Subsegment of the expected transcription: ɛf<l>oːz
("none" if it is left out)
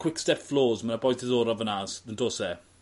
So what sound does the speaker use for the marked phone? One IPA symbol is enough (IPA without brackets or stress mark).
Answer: l